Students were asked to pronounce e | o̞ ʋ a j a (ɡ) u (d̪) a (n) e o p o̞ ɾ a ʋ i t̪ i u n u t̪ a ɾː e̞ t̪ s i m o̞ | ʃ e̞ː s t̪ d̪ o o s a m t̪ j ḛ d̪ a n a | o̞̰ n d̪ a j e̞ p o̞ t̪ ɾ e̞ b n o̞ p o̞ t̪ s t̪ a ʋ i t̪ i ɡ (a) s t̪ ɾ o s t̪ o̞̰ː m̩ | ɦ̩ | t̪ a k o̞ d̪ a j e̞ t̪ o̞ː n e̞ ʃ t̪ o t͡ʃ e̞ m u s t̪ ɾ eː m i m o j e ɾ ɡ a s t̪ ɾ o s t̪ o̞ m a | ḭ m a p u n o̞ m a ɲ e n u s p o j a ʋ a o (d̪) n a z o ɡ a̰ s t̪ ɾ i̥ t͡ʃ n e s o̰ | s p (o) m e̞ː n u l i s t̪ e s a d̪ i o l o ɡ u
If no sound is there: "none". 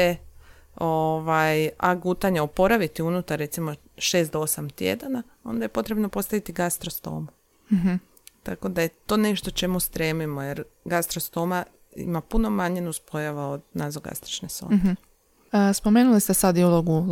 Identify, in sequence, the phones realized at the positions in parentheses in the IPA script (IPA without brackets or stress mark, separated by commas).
ɡ, t̪, ɲ, a, d̪, o